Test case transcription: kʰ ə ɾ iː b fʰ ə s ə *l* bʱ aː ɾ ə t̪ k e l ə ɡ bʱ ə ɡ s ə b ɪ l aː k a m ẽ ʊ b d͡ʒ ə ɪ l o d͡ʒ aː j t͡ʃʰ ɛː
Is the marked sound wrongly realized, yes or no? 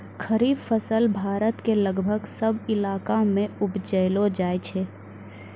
no